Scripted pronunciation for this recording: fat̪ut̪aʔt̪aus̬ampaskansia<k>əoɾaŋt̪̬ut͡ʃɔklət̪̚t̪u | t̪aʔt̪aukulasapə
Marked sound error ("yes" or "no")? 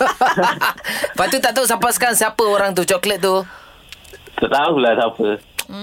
yes